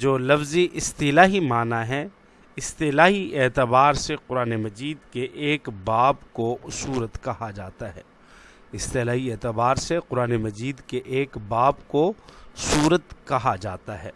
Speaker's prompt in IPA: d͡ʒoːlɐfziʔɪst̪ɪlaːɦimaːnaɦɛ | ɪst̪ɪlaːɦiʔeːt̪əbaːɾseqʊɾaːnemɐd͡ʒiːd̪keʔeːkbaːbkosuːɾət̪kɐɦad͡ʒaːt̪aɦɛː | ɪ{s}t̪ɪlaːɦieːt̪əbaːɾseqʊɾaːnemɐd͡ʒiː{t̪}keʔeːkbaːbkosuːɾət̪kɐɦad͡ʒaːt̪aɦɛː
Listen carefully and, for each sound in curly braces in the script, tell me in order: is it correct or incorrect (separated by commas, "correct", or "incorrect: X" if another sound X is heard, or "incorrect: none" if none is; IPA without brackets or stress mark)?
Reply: correct, incorrect: d̪